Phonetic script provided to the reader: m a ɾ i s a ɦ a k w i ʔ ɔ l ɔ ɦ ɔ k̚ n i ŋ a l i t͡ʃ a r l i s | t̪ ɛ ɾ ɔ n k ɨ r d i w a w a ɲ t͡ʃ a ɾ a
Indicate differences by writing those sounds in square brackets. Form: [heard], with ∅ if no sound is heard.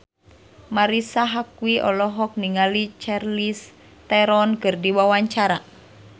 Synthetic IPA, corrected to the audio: m a ɾ i s a ɦ a k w i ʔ ɔ l ɔ ɦ ɔ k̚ n i ŋ a l i t͡ʃ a r l i s | t̪ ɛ ɾ ɔ n k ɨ r d i w a w a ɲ t͡ʃ a ɾ a